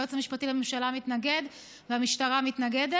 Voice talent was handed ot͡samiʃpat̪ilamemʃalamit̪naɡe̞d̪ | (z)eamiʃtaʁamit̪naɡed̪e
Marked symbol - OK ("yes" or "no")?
no